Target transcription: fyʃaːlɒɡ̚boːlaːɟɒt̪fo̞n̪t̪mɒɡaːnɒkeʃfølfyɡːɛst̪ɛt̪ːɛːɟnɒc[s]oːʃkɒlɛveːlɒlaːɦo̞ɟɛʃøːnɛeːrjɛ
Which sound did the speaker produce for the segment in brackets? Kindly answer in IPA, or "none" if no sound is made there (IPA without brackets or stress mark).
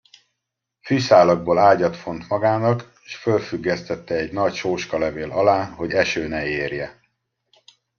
ʃ